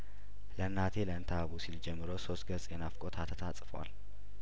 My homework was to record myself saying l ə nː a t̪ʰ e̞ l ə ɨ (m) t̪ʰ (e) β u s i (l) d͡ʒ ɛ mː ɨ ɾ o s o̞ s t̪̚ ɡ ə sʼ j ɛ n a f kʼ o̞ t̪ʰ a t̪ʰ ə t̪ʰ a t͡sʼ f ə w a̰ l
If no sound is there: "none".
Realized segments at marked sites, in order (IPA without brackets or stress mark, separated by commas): n, a, l